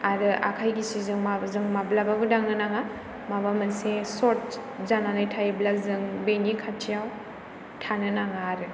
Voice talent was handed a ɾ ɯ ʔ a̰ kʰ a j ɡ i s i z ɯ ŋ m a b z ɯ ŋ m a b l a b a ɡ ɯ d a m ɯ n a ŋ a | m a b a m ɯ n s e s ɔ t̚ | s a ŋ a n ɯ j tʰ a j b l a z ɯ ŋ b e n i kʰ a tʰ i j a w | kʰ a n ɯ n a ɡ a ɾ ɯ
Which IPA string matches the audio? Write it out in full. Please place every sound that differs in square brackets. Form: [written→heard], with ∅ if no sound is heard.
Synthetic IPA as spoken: a ɾ ɯ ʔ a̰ kʰ a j ɡ i s i z ɯ ŋ m a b z ɯ ŋ m a b l a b a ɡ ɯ d a [m→ŋ] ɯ n a ŋ a | m a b a m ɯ n s e s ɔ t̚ | [s→z] a [ŋ→n] a n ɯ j tʰ a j b l a z ɯ ŋ b e n i kʰ a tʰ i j a w | [kʰ→tʰ] a n ɯ n a [ɡ→ŋ] a ɾ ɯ